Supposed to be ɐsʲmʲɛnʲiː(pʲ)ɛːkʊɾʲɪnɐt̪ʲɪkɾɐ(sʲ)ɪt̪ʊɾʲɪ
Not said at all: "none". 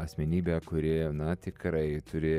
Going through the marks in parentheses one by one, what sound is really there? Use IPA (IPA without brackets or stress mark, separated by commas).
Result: bʲ, none